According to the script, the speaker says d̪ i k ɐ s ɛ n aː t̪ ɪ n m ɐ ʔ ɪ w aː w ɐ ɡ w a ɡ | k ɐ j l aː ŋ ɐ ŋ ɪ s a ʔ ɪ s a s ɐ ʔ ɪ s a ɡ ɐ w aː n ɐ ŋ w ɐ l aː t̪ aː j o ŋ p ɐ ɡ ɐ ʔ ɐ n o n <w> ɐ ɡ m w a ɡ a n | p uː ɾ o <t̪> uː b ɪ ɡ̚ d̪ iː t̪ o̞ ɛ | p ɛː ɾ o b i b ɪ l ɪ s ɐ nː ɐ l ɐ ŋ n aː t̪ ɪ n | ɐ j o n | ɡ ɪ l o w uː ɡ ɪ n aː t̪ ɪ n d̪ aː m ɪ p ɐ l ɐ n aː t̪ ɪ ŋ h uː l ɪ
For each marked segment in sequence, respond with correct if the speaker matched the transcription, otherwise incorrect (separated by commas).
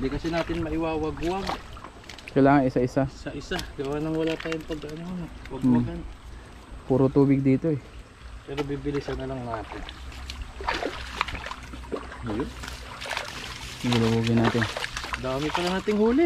correct, correct